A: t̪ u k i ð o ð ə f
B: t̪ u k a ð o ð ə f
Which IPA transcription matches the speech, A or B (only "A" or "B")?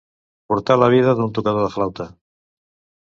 B